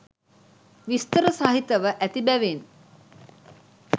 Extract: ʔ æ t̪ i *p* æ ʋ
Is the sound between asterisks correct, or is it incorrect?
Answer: incorrect